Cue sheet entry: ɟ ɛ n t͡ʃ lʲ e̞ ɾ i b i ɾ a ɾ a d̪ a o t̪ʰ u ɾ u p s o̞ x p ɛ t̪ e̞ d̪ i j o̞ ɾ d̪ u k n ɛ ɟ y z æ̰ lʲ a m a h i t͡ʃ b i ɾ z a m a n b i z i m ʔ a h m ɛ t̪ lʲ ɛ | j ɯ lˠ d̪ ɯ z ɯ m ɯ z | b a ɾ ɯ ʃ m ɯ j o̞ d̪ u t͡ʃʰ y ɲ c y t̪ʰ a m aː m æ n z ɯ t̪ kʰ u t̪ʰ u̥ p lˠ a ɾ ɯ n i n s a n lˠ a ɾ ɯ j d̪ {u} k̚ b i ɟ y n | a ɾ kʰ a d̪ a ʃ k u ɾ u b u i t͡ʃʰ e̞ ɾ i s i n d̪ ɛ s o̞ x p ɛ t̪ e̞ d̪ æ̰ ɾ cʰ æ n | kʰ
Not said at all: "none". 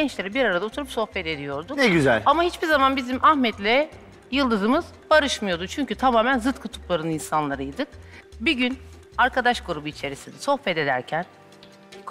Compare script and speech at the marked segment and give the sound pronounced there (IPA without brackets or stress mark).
ɯ